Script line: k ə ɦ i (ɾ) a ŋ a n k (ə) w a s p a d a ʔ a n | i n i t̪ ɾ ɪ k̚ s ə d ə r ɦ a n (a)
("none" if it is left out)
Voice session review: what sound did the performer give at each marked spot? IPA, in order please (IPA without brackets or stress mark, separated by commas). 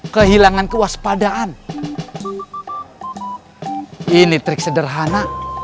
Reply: l, ə, a